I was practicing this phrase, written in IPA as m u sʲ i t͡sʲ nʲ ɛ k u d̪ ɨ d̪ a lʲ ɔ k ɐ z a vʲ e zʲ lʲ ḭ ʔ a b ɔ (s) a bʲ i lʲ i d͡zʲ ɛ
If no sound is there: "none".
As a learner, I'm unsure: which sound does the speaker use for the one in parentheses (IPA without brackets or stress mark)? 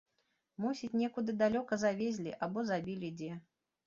z